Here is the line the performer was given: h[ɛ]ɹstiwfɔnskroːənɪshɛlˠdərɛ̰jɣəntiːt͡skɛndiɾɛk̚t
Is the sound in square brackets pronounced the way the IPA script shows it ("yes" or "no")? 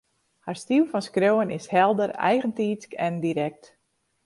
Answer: no